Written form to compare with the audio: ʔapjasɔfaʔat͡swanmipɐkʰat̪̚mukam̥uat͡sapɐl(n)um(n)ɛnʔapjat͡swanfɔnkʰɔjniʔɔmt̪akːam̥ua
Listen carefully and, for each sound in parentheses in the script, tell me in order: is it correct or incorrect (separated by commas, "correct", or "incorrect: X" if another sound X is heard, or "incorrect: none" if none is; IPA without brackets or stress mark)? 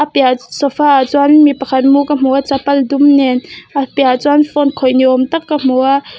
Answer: incorrect: d, correct